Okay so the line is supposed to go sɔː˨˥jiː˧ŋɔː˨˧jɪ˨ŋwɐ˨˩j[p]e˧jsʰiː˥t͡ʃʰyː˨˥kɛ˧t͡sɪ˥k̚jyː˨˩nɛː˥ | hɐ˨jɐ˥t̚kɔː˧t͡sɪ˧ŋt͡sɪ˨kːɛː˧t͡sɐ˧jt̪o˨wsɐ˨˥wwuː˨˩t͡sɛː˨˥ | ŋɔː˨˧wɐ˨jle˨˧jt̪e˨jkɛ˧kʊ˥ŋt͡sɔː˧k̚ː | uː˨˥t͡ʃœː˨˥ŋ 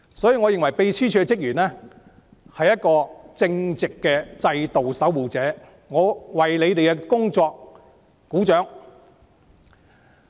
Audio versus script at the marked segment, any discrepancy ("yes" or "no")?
no